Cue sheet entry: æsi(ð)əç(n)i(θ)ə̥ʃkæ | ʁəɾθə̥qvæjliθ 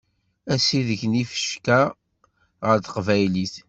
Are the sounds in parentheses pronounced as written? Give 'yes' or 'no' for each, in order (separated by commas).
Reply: yes, yes, no